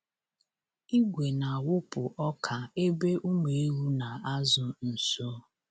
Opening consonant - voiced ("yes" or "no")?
yes